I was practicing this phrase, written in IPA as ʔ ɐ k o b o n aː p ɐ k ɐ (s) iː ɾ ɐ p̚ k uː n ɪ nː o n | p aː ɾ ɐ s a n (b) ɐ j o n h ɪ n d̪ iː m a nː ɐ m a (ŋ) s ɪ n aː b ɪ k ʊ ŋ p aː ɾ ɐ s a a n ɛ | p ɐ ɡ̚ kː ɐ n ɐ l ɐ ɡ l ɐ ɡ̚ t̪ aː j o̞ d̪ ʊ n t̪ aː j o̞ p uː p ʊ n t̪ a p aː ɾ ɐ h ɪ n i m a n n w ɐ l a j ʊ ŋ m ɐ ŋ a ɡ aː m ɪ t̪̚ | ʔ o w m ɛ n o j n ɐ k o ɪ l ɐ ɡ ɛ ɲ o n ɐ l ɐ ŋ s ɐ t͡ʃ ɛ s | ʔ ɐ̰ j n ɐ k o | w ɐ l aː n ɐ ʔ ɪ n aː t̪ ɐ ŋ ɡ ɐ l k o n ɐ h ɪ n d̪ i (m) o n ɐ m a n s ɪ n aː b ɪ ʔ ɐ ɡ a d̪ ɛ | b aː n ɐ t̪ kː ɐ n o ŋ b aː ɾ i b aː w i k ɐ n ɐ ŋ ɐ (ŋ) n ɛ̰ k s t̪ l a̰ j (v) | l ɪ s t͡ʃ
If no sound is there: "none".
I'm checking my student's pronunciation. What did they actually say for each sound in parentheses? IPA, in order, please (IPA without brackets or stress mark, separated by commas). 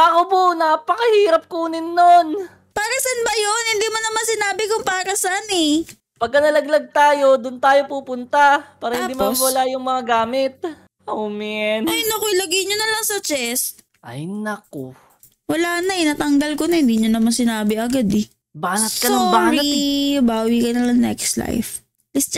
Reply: h, b, n, ɲ, ŋ, f